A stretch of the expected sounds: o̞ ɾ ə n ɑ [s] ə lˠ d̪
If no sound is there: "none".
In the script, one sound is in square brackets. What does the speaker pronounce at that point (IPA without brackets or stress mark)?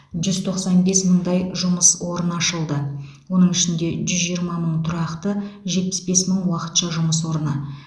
ʃ